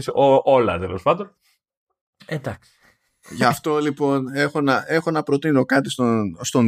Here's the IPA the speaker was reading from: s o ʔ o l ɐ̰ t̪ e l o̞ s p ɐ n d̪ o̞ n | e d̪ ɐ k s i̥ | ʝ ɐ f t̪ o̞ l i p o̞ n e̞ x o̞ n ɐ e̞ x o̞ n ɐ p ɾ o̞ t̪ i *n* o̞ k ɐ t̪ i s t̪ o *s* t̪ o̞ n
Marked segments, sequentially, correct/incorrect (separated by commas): correct, correct